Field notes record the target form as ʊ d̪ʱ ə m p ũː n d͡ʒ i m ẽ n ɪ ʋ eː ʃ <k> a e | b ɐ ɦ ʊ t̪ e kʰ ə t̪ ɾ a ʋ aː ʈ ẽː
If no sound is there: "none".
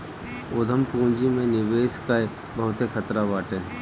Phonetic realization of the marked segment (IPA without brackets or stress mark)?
k